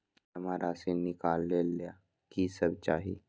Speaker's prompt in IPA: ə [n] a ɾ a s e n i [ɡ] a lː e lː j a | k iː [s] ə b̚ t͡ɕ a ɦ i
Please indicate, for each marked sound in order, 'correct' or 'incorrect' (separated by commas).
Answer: incorrect, incorrect, correct